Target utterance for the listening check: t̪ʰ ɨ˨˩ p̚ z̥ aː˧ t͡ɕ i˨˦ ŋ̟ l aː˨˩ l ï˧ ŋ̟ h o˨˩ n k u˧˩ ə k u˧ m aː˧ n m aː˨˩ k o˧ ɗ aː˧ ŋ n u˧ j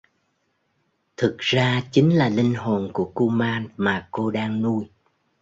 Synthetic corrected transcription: t̪ʰ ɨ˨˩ k̚ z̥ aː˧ t͡ɕ i˨˦ ŋ̟ l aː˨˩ l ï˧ ŋ̟ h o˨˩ n k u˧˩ ə k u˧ m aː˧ n m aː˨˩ k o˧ ɗ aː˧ ŋ n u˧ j